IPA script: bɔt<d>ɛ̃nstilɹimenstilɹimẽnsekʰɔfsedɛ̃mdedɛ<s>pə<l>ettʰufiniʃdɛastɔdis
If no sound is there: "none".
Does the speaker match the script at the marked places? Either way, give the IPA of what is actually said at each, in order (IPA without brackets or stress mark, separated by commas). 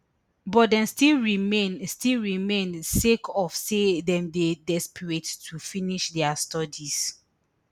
d, s, ɹ